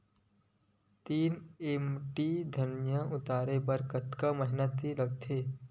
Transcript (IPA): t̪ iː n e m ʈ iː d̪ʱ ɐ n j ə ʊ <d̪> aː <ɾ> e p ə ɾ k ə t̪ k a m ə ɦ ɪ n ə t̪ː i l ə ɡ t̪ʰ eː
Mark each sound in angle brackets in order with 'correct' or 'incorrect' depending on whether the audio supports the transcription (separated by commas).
incorrect, correct